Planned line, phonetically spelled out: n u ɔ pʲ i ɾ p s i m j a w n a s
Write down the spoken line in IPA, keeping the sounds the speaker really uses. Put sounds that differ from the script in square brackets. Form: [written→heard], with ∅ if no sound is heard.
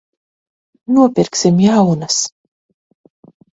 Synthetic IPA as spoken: n u ɔ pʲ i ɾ [p→k] s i m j a w n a s